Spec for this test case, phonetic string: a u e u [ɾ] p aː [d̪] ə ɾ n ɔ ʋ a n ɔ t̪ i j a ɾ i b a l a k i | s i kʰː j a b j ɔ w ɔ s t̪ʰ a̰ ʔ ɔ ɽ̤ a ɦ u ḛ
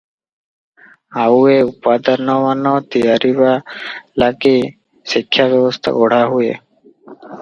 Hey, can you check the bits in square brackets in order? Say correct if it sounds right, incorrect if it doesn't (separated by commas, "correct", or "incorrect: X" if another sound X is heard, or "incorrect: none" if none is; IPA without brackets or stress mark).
incorrect: none, correct